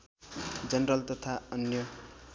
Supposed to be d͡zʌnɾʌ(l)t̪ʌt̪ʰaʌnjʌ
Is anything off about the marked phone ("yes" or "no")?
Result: no